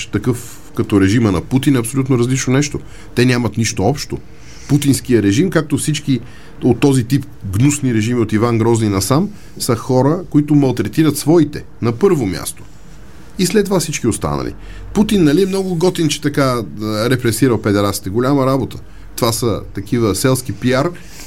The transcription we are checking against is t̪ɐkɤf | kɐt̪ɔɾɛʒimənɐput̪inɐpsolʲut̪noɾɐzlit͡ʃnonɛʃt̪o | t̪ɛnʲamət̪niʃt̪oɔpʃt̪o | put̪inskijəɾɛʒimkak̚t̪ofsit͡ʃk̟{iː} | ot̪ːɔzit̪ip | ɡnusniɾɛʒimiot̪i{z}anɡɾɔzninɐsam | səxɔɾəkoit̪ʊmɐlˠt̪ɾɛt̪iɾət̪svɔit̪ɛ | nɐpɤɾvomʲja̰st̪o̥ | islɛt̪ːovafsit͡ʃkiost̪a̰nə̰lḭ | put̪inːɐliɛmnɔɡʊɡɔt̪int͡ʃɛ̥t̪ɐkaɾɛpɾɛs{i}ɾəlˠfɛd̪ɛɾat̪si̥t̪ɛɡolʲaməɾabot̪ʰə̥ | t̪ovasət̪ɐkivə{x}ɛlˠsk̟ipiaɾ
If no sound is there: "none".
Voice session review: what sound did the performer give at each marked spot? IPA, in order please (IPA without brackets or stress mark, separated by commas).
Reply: i, v, i, s